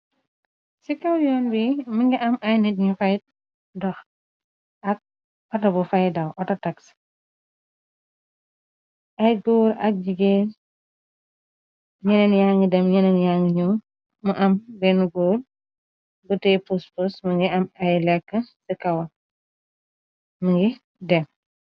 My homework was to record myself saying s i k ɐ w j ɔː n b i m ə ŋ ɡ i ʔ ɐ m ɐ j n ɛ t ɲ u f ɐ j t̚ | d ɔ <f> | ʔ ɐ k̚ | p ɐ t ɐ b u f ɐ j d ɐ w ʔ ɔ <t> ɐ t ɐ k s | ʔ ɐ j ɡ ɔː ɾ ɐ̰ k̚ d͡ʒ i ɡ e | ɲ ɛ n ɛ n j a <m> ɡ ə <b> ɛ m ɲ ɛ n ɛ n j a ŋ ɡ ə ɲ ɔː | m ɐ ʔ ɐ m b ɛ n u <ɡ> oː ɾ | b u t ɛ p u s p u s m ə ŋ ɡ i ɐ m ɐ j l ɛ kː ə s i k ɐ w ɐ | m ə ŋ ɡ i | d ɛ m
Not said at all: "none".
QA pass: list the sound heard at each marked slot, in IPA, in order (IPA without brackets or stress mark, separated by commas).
x, t, ŋ, d, ɡ